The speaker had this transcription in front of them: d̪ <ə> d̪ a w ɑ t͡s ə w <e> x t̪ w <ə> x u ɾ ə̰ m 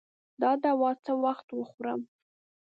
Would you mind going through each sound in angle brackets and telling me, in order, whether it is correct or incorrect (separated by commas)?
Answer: incorrect, incorrect, correct